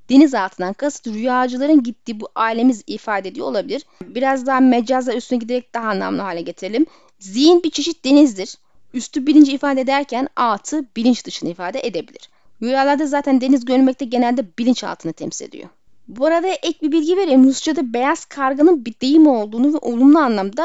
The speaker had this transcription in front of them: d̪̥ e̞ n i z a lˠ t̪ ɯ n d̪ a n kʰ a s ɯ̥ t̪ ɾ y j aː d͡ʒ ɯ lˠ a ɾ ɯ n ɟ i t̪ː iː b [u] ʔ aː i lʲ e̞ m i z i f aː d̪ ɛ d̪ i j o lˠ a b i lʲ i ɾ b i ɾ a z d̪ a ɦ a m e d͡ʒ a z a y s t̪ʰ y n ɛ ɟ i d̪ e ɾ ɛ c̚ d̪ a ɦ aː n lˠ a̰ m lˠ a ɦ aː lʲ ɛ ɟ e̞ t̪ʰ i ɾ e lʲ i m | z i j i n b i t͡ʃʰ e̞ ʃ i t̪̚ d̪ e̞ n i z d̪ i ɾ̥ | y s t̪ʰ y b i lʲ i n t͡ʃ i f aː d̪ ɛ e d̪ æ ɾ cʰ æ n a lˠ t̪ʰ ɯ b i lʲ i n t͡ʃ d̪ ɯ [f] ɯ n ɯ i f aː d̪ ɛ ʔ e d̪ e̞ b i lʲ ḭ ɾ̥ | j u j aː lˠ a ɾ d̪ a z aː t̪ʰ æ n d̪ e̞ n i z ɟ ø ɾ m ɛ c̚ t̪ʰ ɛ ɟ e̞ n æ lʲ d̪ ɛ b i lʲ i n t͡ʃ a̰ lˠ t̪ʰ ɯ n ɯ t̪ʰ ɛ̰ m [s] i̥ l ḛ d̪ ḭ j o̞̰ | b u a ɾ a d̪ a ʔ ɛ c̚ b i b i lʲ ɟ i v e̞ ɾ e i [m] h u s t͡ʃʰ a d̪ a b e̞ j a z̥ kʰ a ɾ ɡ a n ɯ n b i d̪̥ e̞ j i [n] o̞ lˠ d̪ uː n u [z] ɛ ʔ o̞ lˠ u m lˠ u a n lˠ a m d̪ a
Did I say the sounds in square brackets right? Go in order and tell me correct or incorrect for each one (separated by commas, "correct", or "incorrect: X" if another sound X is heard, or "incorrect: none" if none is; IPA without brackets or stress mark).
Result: correct, incorrect: ʃ, correct, correct, incorrect: m, incorrect: v